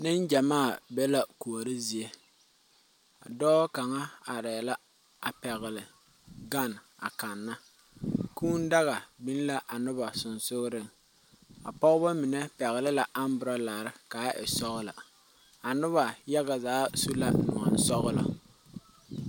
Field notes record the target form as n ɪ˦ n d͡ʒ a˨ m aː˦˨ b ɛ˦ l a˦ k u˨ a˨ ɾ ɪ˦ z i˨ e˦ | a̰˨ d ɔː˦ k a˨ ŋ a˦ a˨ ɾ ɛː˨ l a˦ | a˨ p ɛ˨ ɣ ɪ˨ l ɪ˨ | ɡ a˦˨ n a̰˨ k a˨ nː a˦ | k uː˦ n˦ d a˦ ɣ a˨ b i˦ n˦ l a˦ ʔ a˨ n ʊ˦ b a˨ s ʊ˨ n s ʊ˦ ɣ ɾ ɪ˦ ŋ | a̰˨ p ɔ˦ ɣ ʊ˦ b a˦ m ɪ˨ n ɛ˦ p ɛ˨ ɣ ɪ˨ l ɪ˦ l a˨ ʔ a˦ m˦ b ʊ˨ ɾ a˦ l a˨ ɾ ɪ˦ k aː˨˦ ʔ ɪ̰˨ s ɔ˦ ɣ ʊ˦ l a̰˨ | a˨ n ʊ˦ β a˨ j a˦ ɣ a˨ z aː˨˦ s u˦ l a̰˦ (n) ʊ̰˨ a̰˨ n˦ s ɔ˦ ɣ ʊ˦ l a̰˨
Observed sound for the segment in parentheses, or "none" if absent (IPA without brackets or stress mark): n